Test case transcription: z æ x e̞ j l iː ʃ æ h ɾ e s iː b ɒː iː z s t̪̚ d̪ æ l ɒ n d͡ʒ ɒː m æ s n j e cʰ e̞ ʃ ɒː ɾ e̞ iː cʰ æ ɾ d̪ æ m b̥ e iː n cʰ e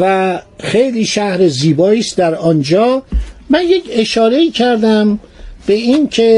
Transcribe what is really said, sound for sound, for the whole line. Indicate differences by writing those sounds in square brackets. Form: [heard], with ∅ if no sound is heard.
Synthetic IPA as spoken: [v] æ x e̞ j l iː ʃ æ h ɾ e [z] iː b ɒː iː [∅] s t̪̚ d̪ æ [ɾ] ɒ n d͡ʒ ɒː m æ [∅] n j e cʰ e̞ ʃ ɒː ɾ e̞ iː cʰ æ ɾ d̪ æ m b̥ e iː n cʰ e